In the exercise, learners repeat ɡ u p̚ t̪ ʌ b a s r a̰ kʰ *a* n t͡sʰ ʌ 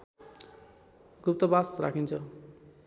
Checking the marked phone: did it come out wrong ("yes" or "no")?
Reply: yes